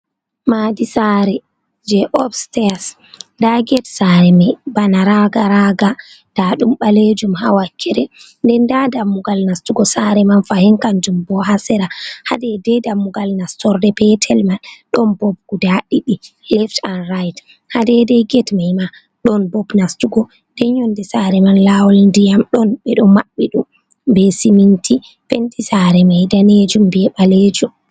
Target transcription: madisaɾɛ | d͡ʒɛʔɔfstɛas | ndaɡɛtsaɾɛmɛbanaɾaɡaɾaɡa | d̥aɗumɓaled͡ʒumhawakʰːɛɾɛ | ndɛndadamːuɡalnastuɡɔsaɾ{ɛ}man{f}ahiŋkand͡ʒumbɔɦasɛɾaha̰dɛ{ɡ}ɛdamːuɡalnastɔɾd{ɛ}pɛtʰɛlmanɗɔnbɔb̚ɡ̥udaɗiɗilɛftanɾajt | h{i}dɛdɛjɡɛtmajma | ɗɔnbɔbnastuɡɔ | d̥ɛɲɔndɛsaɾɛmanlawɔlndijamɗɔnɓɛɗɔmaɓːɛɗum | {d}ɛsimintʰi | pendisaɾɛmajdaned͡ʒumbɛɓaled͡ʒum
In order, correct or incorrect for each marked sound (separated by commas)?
correct, correct, incorrect, correct, incorrect, incorrect